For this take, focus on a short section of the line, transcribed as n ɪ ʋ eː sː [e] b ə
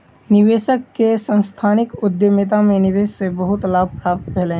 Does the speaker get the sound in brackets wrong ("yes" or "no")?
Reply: no